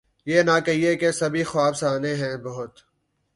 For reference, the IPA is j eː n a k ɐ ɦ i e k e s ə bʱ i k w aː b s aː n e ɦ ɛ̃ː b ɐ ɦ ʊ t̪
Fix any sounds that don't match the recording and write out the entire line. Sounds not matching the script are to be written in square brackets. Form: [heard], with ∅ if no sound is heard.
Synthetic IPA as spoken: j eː n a k ɐ ɦ i e k e s [ɐ] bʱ i [x] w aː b s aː n e ɦ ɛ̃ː b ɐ ɦ ʊ t̪